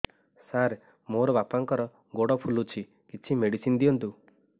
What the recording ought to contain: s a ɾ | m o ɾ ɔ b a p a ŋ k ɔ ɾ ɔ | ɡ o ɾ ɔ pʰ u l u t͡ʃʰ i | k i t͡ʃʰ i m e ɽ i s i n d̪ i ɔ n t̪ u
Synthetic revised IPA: s a ɾ | m o ɾ ɔ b a p a ŋ k ɔ ɾ ɔ | ɡ o ɽ ɔ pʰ u l u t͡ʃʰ i | k i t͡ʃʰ i m e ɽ i s i n d̪ i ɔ n t̪ u